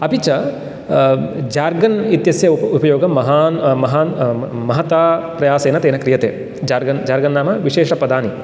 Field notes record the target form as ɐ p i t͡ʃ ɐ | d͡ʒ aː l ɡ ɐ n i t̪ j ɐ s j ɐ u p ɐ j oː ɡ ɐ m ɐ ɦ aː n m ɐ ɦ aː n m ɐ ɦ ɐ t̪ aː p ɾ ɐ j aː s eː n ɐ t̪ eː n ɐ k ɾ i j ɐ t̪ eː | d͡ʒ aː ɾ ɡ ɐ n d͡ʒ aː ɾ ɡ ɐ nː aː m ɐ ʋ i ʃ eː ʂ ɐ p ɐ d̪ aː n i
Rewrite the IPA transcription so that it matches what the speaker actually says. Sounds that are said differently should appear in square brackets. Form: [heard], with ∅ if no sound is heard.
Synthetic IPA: ɐ p i t͡ʃ ɐ | d͡ʒ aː [ɾ] ɡ ɐ n i t̪ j ɐ s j ɐ u p ɐ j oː ɡ ɐ m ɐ ɦ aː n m ɐ ɦ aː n m ɐ ɦ ɐ t̪ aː p ɾ ɐ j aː s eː n ɐ t̪ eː n ɐ k ɾ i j ɐ t̪ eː | d͡ʒ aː ɾ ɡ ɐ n d͡ʒ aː ɾ ɡ ɐ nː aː m ɐ ʋ i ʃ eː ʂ ɐ p ɐ d̪ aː n i

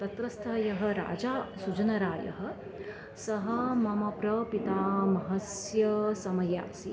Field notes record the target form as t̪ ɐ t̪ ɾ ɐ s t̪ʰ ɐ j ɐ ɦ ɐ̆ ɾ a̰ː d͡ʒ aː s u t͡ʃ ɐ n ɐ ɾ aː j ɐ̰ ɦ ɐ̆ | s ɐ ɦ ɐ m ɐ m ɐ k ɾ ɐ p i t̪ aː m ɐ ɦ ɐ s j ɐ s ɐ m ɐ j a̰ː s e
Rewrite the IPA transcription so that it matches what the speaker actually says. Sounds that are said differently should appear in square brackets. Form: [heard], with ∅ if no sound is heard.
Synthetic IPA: t̪ ɐ t̪ ɾ ɐ s t̪ʰ ɐ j ɐ ɦ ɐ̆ ɾ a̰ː d͡ʒ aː s u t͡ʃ ɐ n ɐ ɾ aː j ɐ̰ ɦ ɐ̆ | s ɐ ɦ ɐ m ɐ m ɐ [p] ɾ ɐ p i t̪ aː m ɐ ɦ ɐ s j ɐ s ɐ m ɐ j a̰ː s [i]

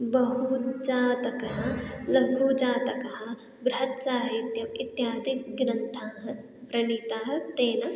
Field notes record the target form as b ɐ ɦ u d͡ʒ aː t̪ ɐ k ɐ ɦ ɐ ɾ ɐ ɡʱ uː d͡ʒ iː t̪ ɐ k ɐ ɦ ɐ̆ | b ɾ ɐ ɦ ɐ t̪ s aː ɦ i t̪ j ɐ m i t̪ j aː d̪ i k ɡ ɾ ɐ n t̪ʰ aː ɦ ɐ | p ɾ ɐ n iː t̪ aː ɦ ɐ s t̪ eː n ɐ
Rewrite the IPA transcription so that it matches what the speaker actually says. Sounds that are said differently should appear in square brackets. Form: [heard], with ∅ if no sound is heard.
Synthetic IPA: b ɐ ɦ u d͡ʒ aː t̪ ɐ k ɐ ɦ ɐ [l] ɐ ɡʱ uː d͡ʒ [aː] t̪ ɐ k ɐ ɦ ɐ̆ | b ɾ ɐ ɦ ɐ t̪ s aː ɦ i t̪ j ɐ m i t̪ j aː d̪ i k ɡ ɾ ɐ n t̪ʰ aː ɦ ɐ | p ɾ ɐ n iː t̪ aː ɦ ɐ [∅] t̪ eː n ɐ

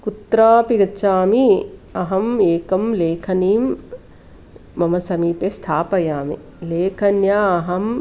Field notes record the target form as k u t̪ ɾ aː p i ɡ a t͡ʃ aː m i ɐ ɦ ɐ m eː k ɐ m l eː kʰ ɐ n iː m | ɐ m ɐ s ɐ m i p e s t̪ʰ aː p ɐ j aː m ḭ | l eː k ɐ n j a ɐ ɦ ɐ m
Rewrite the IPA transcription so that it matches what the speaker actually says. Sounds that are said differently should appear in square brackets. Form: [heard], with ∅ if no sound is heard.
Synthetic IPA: k u t̪ ɾ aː p i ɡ [ɐ] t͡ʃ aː m i ɐ ɦ ɐ m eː k ɐ m l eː kʰ ɐ n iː m | ɐ m ɐ s ɐ m [iː] p e s t̪ʰ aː p ɐ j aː m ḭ | l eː [kʰ] ɐ n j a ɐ ɦ ɐ m

